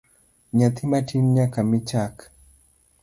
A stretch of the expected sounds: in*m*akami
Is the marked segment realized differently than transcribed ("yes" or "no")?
yes